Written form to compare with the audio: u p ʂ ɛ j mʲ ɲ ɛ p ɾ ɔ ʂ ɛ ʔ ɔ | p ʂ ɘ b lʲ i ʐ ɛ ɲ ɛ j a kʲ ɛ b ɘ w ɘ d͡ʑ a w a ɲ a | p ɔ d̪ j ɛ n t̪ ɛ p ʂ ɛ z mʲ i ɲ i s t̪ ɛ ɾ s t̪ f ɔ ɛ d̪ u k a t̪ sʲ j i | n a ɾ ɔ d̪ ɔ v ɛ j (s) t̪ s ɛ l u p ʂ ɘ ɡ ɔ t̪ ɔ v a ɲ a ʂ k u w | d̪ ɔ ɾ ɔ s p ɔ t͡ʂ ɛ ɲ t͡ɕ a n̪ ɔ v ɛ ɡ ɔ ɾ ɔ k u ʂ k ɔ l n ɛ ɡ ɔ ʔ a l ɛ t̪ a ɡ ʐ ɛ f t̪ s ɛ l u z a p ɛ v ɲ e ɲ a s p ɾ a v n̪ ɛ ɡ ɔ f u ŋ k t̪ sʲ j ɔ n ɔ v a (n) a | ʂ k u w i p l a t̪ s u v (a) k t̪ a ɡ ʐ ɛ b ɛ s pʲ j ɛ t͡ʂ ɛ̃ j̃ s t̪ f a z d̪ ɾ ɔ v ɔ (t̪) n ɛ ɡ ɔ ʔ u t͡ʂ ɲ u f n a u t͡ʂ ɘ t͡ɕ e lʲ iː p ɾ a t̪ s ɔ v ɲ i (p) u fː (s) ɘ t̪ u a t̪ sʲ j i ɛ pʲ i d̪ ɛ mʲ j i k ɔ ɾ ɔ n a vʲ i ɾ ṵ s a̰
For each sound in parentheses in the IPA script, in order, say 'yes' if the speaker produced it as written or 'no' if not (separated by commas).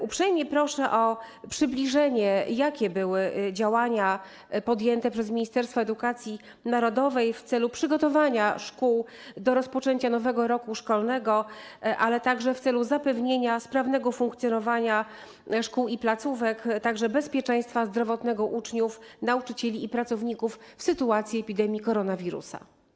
no, no, no, yes, no, yes